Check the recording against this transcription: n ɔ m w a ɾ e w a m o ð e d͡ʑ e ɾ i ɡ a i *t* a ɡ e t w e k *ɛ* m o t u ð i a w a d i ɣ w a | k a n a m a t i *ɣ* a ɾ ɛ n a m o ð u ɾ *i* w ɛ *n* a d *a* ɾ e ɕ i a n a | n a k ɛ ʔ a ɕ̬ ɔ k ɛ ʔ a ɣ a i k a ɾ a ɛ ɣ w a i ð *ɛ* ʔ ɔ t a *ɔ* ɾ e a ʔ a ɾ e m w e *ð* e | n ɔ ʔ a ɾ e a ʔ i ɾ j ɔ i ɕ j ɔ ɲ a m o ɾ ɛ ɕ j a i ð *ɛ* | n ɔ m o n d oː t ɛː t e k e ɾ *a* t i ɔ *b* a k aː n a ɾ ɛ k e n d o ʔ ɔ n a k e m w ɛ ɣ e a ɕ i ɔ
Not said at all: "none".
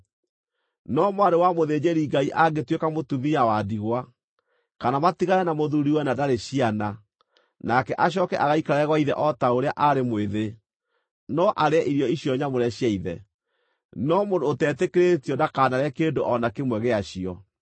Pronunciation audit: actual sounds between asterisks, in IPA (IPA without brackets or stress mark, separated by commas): ʔ, a, ɣ, i, n, a, ɛ, o, ð, ɛ, e, d